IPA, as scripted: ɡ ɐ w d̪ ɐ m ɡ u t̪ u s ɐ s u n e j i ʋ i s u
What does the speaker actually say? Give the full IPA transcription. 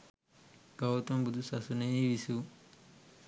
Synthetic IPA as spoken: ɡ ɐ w t̪ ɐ m b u d̪ u s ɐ s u n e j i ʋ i s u